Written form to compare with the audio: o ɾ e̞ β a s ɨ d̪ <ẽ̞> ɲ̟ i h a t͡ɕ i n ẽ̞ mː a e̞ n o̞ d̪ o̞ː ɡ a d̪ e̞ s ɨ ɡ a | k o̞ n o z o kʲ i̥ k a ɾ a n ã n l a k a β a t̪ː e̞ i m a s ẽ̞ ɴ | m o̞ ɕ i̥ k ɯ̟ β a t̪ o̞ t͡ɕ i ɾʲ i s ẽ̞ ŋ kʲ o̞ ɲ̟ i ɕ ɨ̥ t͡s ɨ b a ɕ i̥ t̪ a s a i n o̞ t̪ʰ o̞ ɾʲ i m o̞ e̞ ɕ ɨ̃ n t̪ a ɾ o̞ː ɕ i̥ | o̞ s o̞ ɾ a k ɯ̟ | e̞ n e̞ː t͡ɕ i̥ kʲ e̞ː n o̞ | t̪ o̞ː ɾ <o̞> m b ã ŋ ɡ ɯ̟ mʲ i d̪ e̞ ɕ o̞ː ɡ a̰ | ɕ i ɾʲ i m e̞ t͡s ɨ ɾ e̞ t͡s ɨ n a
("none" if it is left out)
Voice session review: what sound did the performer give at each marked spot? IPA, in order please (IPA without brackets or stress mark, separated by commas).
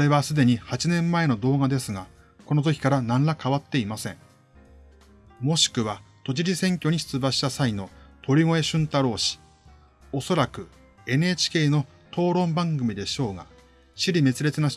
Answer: e̞, õ̞